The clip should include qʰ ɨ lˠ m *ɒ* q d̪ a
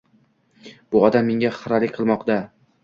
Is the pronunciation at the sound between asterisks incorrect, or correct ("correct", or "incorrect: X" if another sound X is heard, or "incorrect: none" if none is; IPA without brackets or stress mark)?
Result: correct